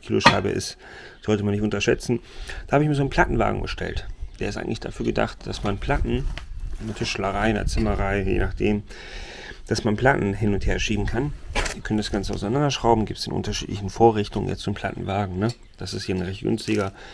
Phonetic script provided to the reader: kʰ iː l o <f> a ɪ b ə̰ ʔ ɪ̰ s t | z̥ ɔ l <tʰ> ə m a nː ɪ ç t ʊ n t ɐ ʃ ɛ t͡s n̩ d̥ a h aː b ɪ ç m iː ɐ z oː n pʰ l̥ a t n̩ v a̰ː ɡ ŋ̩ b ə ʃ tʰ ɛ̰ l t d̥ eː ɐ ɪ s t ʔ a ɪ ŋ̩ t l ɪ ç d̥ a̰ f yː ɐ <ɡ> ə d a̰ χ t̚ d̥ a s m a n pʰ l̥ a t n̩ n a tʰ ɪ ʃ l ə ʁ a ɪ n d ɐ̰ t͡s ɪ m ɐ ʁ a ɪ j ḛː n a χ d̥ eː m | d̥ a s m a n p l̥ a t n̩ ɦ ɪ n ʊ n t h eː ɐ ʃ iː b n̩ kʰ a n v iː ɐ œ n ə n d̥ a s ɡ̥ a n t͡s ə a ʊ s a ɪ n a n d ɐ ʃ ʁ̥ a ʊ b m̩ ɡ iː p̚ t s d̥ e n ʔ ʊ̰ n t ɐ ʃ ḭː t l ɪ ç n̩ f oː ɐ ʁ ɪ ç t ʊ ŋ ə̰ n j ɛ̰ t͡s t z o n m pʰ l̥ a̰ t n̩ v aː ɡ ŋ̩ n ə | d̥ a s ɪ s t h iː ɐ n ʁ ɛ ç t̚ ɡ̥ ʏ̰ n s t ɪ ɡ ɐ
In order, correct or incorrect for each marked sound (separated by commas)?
incorrect, incorrect, correct